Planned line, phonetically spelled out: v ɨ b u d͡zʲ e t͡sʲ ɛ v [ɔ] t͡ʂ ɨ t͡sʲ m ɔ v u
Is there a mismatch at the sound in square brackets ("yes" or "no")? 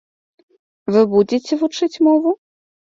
yes